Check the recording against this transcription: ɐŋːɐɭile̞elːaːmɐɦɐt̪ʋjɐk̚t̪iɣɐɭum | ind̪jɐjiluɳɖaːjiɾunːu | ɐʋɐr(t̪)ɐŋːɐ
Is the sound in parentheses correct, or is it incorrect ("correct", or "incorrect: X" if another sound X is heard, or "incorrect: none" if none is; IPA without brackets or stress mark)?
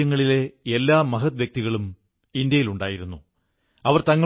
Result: correct